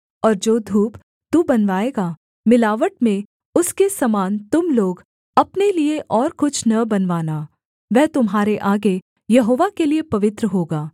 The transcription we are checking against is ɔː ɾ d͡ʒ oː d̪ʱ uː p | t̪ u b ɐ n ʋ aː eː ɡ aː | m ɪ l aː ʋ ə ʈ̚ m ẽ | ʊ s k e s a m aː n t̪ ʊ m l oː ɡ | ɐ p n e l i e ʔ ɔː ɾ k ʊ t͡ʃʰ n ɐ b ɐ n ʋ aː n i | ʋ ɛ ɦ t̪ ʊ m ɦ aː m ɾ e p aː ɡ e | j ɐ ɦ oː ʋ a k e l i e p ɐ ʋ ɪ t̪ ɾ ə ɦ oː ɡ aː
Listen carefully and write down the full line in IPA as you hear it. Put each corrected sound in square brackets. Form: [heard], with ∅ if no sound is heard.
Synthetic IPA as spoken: ɔː ɾ d͡ʒ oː d̪ʱ uː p | t̪ u b ɐ n ʋ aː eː ɡ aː | m ɪ l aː ʋ ə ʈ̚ m ẽ | ʊ s k e s [ɐ] m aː n t̪ ʊ m l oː ɡ | ɐ p n e l i e ʔ ɔː ɾ k ʊ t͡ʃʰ n ɐ b ɐ n ʋ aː n [a] | ʋ ɛ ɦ t̪ ʊ m ɦ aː [∅] ɾ e [ʔ] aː ɡ e | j ɐ ɦ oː ʋ a k e l i e p ɐ ʋ ɪ t̪ ɾ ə ɦ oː ɡ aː